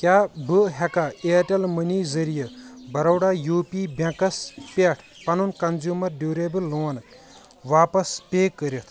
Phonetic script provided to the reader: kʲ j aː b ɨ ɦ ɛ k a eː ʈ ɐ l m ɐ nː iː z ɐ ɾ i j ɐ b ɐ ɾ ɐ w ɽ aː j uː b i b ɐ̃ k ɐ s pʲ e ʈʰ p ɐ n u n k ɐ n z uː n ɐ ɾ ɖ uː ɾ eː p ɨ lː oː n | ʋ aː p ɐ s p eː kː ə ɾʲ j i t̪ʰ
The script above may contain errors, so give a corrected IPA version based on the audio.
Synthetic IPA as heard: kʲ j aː b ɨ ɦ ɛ k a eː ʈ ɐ l m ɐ n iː z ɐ ɾ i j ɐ b ɐ ɾ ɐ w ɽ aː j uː p i b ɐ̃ k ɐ s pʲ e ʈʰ p ɐ n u n k ɐ n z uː m ɐ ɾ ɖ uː ɾ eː b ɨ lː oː n | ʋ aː p ɐ s p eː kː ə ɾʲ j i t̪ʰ